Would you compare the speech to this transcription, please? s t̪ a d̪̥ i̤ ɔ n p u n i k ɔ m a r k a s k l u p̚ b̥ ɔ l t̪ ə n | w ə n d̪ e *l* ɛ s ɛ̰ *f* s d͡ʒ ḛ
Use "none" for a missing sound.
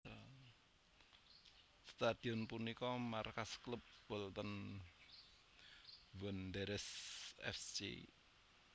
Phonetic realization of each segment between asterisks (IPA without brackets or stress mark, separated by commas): ɾ, f